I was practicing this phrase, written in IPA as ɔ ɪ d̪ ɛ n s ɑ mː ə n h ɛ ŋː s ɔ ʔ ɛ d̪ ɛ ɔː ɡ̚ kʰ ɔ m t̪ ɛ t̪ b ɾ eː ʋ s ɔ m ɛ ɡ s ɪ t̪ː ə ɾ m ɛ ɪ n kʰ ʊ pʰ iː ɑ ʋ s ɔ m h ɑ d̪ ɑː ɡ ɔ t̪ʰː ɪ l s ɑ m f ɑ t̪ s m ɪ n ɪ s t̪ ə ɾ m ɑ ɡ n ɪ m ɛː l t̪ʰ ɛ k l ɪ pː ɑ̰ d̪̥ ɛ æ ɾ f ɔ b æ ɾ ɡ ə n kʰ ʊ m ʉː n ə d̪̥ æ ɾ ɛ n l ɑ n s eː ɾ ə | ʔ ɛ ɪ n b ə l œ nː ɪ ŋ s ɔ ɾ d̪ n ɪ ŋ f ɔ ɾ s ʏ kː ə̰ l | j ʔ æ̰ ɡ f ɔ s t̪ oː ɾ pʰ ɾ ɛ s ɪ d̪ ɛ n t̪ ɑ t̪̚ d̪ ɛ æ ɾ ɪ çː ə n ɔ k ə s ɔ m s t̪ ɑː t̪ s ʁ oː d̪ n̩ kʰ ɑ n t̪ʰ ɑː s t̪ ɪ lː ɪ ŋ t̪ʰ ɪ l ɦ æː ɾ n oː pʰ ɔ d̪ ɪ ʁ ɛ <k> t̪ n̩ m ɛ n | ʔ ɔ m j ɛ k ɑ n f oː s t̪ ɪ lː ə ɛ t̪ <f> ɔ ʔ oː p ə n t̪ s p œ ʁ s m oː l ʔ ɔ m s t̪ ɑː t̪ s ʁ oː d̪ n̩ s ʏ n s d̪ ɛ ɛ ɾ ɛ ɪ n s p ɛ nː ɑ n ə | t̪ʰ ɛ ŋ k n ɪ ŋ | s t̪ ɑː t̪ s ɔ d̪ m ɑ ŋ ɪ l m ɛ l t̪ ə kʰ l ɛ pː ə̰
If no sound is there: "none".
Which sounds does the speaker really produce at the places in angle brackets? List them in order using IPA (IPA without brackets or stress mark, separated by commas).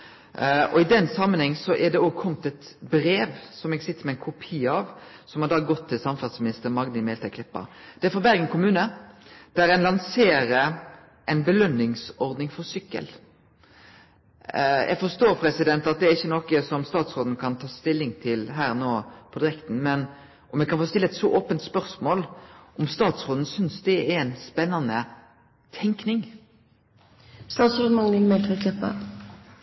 k, s